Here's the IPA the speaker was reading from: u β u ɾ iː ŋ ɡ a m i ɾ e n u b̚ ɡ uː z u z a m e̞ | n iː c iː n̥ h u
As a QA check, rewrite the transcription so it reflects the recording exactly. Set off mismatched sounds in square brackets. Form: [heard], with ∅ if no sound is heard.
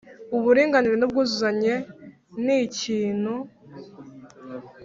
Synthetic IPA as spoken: u β u ɾ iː ŋ ɡ a [n] i ɾ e n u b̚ ɡ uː z u z a [ɲ] e̞ | n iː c iː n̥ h u